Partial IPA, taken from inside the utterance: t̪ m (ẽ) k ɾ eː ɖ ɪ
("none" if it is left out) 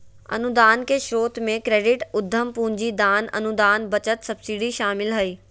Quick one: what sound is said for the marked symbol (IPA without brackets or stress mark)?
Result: ẽ